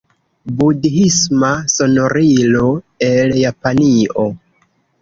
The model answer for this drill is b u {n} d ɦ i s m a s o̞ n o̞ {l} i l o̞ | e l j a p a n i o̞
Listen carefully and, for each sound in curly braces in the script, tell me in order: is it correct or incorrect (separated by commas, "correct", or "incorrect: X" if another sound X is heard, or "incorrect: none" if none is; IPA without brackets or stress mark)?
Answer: incorrect: none, incorrect: ɾ